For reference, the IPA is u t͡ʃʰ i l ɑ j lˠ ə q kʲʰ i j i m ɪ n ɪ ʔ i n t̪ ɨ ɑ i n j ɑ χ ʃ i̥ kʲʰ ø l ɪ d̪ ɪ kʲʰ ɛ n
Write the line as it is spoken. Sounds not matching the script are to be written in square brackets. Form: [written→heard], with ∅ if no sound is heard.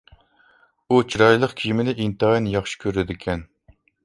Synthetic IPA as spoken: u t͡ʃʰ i [l→ɾ] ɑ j lˠ ə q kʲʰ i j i m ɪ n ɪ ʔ i n t̪ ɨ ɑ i n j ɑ χ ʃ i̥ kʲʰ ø [l→ɾ] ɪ d̪ ɪ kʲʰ ɛ n